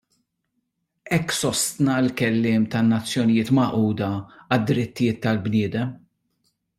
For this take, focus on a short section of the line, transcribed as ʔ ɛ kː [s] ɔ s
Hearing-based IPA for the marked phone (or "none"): s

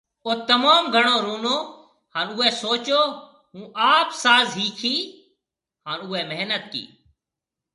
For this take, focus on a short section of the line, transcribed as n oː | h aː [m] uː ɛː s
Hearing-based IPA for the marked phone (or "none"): n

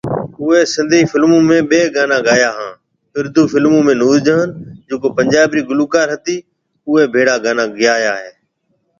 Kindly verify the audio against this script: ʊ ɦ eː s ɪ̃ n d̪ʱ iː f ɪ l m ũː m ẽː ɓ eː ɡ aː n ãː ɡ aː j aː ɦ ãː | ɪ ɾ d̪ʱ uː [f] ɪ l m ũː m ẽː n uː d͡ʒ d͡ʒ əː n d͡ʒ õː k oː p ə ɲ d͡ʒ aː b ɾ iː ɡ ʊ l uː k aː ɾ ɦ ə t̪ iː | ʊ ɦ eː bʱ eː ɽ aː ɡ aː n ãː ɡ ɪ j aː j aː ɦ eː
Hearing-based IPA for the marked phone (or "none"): f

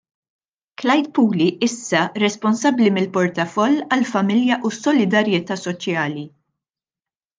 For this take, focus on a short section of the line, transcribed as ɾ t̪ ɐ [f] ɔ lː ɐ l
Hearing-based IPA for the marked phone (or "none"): f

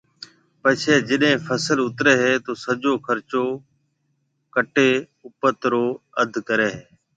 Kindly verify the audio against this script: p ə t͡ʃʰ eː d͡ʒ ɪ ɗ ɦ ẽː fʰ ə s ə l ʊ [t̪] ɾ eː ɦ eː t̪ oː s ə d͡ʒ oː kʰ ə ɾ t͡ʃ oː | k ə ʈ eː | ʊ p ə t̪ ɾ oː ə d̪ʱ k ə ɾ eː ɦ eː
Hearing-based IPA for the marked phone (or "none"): t̪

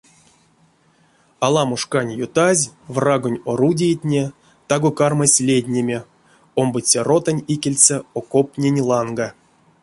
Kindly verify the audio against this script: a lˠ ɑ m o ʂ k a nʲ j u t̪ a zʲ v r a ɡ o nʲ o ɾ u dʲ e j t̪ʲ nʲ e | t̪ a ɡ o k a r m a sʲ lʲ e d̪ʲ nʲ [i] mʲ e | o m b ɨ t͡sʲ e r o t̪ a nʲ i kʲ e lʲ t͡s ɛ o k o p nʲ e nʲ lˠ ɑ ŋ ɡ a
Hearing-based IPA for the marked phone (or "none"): e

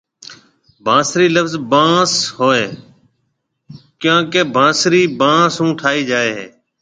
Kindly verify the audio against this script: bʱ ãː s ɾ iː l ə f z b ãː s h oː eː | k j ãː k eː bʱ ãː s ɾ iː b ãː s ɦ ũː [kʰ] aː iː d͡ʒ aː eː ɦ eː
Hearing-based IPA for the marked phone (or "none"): ʈʰ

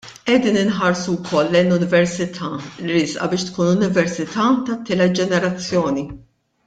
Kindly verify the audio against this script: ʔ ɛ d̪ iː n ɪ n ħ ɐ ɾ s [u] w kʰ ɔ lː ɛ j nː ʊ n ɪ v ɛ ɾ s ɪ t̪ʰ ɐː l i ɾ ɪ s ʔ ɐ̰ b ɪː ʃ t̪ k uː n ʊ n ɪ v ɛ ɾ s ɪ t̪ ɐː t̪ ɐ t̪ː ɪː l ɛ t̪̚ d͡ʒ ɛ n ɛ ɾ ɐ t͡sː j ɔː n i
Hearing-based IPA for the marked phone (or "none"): u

